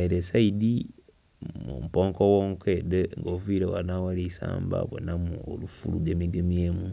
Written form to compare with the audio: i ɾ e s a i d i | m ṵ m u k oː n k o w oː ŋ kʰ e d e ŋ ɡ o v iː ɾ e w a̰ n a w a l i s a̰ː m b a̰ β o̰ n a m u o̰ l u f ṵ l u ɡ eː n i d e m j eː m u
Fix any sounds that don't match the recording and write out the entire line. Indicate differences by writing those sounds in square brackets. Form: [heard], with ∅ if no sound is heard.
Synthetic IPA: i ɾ e s a i d i | m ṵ m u [p] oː [ŋ] k o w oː ŋ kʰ e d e ŋ ɡ o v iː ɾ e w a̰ n a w a l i s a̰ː m b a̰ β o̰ n a m u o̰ l u f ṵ l u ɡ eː [m] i [ɡ] e m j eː m u